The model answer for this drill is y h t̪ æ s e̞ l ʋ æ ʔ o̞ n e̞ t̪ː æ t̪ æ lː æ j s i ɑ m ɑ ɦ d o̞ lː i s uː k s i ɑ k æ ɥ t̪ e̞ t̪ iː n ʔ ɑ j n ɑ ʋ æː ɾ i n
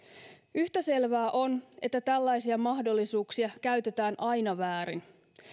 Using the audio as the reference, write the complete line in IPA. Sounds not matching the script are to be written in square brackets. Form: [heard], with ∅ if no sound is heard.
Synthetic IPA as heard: y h t̪ æ s e̞ l ʋ [æː] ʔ o̞ n e̞ t̪ː æ t̪ æ lː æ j s i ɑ m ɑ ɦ d o̞ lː i s uː k s i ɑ k æ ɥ t̪ e̞ t̪ [æː] n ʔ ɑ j n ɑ ʋ æː ɾ i n